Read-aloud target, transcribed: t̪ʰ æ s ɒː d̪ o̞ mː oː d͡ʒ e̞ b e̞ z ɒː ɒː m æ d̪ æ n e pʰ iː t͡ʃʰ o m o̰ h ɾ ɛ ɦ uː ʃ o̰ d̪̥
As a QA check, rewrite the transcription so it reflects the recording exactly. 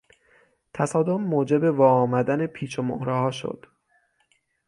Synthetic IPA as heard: t̪ʰ æ s ɒː d̪ o̞ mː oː d͡ʒ e̞ b e̞ v ɒː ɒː m æ d̪ æ n e pʰ iː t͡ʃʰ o m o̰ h ɾ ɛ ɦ ɒː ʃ o̰ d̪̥